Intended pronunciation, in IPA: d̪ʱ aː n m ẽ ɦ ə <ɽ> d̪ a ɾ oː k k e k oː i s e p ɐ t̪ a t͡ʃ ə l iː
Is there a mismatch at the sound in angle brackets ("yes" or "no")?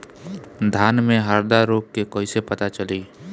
yes